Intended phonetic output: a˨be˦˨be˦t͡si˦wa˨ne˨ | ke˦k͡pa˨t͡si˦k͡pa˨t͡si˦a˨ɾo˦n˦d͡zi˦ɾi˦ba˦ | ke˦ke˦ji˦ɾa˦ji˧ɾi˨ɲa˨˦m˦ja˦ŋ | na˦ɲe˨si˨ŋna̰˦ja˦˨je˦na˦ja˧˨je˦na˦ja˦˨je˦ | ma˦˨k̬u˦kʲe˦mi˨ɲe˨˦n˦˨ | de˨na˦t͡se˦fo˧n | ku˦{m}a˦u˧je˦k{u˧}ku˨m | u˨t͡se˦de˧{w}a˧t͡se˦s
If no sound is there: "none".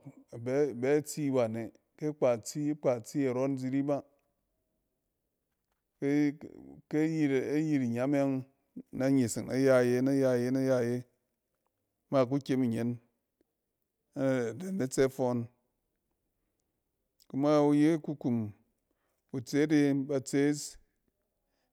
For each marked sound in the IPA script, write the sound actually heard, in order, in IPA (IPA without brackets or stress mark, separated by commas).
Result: m, u˧, b